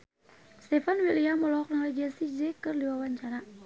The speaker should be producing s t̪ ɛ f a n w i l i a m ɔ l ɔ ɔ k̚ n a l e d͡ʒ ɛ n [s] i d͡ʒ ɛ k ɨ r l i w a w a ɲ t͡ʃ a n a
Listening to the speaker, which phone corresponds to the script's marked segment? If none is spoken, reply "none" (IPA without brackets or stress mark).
s